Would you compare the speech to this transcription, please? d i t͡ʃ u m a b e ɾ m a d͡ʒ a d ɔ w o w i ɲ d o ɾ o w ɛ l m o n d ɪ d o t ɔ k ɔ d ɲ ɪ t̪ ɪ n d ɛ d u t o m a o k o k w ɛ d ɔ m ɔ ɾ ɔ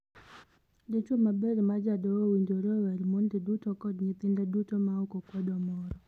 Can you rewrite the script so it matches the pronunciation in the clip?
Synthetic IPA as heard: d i t͡ʃ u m a b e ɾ m a d͡ʒ a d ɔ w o w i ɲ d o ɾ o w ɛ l m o n d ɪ d u t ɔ k ɔ d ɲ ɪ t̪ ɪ n d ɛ d u t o m a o k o k w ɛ d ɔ m ɔ ɾ ɔ